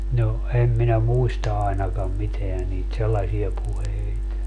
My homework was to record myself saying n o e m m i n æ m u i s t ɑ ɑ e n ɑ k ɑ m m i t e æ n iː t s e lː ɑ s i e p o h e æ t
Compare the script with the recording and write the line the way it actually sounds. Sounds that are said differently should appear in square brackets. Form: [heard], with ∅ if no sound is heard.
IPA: n o e m m i n æ m u i s t ɑ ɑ e n ɑ k ɑ m m i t e æ n iː t s e lː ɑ s i e p [u] h e [i] t